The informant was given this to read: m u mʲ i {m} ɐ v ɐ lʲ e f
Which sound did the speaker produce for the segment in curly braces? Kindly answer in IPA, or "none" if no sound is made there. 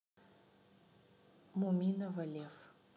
n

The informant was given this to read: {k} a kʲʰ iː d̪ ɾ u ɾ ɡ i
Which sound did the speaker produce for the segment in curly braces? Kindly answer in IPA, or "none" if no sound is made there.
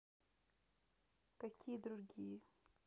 k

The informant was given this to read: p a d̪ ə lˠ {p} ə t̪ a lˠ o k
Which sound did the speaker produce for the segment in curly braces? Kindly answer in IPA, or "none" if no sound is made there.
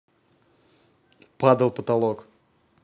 p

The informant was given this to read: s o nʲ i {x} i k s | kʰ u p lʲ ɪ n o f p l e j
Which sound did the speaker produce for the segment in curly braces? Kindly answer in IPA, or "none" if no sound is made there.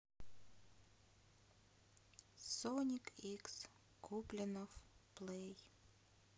k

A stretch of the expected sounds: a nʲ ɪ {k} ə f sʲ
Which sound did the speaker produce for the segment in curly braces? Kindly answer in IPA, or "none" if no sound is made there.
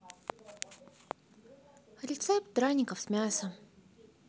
k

